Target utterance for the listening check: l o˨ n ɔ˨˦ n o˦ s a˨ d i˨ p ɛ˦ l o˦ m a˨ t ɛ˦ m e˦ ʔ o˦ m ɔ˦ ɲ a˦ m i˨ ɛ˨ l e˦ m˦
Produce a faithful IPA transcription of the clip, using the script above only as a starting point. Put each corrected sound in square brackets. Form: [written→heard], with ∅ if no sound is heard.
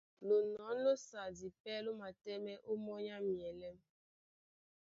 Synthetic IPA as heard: l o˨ n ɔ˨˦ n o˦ s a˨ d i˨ p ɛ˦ l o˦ m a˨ t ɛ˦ m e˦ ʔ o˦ m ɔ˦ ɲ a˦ m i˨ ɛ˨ l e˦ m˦